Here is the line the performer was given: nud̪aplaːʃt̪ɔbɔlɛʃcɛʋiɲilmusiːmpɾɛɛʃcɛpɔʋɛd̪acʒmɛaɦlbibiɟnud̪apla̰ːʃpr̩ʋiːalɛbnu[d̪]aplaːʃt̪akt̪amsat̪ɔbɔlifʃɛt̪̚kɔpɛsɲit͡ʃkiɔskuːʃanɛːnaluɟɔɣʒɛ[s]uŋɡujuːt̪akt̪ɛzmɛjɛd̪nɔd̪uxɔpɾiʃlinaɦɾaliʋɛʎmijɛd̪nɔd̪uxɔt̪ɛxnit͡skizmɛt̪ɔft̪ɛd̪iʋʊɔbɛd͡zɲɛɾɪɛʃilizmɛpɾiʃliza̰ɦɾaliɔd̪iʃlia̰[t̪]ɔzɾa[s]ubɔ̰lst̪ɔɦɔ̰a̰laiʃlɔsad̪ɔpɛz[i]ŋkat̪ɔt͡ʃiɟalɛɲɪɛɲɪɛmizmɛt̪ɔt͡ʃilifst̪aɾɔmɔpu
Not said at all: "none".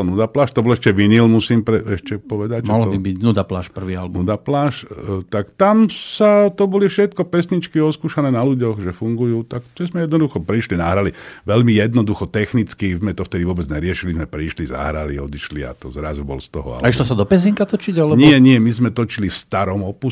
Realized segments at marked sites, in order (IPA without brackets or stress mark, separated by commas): d̪, f, t̪, z, i